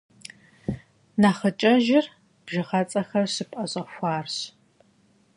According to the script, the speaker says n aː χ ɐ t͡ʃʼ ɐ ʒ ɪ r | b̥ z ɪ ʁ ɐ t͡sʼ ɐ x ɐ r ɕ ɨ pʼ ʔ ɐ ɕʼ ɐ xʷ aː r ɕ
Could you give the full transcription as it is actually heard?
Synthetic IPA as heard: n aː χ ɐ t͡ʃʼ ɐ ʒ ɪ r | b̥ ʒ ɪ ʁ ɐ t͡sʼ ɐ x ɐ r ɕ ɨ pʼ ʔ ɐ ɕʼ ɐ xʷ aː r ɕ